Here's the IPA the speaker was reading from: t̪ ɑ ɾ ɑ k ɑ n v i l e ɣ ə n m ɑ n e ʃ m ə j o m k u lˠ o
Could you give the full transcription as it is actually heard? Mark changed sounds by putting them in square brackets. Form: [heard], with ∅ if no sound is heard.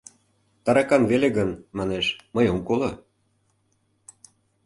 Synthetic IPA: t̪ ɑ ɾ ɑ k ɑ n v [e] l e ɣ ə n m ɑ n e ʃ m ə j o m k [o] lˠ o